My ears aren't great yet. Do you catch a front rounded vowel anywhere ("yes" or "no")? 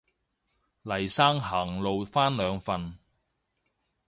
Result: yes